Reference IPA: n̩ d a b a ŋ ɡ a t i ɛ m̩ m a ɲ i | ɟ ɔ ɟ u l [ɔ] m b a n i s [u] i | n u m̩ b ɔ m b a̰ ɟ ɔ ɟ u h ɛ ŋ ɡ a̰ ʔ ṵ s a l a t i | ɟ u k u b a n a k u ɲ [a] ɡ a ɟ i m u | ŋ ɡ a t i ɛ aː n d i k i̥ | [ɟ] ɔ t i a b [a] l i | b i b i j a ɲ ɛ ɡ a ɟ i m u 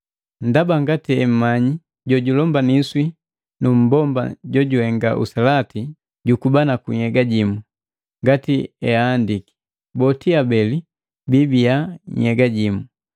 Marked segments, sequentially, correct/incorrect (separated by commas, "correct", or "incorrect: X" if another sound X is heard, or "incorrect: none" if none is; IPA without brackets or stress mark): correct, incorrect: w, incorrect: ɛ, incorrect: b, incorrect: ɛ